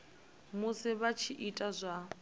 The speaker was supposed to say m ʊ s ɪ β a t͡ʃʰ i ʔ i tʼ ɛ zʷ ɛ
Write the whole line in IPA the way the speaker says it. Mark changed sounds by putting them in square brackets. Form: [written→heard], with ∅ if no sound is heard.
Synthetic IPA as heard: m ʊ s ɪ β a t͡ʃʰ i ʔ i tʼ [ɛ→a] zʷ [ɛ→a]